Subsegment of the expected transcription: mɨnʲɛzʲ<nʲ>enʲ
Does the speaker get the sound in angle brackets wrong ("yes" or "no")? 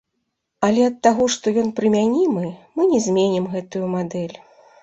yes